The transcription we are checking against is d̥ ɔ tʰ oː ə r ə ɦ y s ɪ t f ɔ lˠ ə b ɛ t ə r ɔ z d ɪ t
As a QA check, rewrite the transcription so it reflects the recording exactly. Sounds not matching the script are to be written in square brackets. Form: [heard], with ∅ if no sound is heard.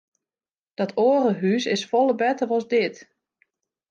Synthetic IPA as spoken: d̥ ɔ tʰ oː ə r ə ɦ y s ɪ [s] f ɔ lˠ ə b ɛ t ə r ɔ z d ɪ t